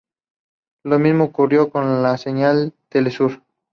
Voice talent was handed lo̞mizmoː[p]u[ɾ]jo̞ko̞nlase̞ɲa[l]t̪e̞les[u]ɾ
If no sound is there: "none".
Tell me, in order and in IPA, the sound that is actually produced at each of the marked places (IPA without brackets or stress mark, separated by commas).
k, r, l, u